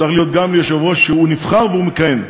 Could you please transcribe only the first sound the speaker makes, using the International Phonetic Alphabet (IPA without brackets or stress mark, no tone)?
a